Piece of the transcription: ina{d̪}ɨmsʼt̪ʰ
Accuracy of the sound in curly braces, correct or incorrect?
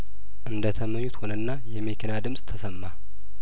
correct